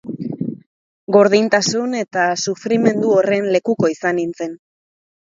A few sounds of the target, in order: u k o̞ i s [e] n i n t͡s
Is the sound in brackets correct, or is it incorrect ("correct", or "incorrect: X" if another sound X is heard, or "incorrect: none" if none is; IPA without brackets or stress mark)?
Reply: incorrect: a